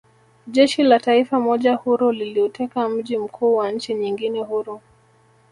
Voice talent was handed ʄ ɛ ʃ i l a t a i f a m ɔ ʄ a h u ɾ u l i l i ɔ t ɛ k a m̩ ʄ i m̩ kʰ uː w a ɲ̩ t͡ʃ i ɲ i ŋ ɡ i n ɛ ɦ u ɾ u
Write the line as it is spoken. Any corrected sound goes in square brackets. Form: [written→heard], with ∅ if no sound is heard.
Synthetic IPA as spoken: ʄ ɛ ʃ i l a t a i f a m ɔ ʄ a h u ɾ u l i l i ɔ t ɛ k a m̩ ʄ i m̩ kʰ uː w a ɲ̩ t͡ʃ i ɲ i ŋ ɡ i n ɛ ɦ u ɾ u